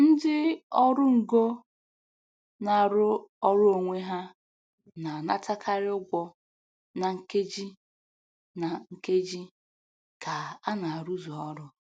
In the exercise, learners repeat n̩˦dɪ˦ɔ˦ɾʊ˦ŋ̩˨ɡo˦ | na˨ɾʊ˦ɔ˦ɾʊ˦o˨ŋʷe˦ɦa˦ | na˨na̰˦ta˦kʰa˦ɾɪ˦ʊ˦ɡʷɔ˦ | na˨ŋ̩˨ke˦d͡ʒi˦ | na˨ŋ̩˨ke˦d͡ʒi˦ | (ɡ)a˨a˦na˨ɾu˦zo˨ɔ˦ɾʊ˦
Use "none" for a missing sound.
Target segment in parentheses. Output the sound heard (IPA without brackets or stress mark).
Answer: k